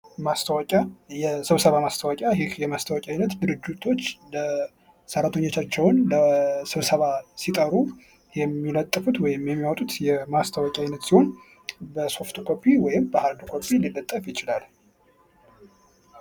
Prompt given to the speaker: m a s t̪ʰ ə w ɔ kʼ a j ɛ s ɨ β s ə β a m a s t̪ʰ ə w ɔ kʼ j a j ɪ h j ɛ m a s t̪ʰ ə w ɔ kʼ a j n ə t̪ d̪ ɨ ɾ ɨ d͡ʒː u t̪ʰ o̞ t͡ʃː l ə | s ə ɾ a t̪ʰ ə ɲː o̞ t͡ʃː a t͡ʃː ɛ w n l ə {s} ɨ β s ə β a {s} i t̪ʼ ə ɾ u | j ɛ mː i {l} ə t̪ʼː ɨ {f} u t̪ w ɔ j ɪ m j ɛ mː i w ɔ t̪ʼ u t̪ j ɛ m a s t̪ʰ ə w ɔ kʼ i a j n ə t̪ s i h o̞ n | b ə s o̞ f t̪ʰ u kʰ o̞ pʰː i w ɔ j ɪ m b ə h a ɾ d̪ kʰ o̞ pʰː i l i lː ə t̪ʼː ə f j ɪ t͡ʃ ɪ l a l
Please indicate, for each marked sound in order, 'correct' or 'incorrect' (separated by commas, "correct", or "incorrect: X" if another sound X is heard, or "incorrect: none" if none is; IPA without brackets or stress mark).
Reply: correct, correct, correct, correct